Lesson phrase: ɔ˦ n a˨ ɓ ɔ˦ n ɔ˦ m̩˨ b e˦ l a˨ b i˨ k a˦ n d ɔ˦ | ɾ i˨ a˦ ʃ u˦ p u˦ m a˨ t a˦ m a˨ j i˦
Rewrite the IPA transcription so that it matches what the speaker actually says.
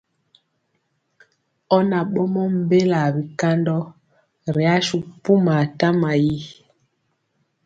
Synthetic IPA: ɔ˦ n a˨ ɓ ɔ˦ m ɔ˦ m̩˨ b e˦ l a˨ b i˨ k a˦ n d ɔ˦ | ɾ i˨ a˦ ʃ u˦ p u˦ m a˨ t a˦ m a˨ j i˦